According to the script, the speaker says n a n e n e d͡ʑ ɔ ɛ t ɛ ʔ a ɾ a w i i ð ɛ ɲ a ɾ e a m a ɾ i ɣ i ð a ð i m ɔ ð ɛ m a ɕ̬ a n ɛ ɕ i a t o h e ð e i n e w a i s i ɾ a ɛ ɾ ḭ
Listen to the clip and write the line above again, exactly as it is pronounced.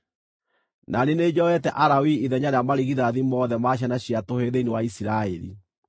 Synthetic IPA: n a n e n e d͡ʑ ɔ ɛ t ɛ ʔ a ɾ a w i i ð ɛ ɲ a ɾ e a m a ɾ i ɣ i ð a ð i m ɔ ð ɛ m a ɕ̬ a n a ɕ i a t o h e ð e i n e w a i s i ɾ a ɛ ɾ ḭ